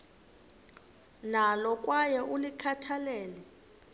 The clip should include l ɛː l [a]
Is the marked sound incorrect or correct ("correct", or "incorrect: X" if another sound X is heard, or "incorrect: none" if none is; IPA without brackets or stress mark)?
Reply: incorrect: ɛ